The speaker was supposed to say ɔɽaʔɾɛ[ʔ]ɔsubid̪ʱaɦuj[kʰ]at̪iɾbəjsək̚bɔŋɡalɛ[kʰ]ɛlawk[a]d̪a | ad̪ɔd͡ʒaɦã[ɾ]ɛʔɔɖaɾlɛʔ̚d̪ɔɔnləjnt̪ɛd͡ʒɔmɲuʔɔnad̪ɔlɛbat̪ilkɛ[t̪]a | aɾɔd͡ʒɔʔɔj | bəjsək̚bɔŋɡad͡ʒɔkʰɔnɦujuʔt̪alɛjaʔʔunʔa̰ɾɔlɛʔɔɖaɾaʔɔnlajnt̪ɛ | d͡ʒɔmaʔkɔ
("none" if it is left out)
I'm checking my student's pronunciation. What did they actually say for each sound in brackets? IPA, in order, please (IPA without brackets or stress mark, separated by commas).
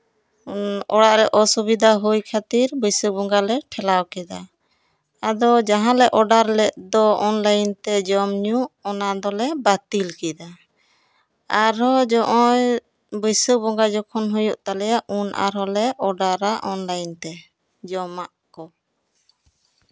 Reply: ʔ, kʰ, ʈʰ, ɛ, l, d̪